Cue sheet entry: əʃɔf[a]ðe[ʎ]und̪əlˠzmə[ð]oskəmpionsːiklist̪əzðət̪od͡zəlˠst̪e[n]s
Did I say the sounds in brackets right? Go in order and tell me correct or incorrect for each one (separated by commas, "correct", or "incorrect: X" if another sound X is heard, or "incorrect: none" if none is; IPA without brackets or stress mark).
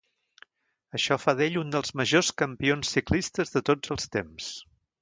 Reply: correct, correct, incorrect: ʒ, incorrect: m